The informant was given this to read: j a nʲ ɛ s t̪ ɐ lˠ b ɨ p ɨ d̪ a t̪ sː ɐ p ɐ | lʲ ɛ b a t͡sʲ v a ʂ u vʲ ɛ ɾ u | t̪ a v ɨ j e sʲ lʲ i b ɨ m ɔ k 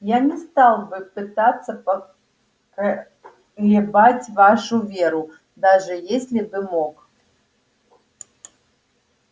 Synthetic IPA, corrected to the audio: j a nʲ ɛ s t̪ a lˠ b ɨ p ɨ t̪ a t̪ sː ɐ p ɐ | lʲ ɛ b a t͡sʲ v a ʂ u vʲ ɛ ɾ u | d̪ a ʐ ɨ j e sʲ lʲ i b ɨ m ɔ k